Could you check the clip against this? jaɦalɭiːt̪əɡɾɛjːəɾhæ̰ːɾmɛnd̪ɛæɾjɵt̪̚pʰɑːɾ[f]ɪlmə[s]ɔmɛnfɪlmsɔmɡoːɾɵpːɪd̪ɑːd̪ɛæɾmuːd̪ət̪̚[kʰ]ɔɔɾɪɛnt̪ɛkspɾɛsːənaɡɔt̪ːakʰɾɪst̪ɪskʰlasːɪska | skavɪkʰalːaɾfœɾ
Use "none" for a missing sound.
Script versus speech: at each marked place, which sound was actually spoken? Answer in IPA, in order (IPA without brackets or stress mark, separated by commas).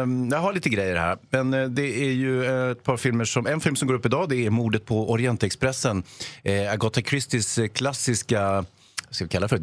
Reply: f, ʂ, pʰ